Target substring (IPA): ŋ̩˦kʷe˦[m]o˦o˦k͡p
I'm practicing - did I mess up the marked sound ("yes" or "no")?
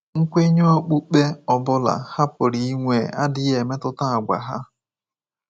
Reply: yes